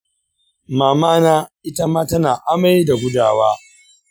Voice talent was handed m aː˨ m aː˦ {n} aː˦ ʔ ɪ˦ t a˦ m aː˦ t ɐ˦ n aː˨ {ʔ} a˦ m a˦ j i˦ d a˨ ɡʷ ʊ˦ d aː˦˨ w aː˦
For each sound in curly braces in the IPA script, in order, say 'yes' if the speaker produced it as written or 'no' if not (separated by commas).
yes, yes